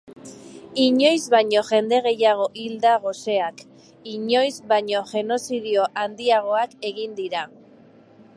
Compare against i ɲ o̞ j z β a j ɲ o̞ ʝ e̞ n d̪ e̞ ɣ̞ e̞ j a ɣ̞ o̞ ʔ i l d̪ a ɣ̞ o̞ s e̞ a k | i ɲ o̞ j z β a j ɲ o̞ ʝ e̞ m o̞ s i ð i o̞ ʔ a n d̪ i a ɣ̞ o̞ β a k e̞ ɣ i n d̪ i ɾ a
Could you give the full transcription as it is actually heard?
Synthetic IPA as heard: i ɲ o̞ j z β a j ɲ o̞ ʝ e̞ n d̪ e̞ ɣ̞ e̞ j a ɣ̞ o̞ ʔ i l d̪ a ɣ̞ o̞ s e̞ a k | i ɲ o̞ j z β a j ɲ o̞ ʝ e̞ n o̞ s i ð i o̞ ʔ a n d̪ i a ɣ̞ o̞ a k e̞ ɣ i n d̪ i ɾ a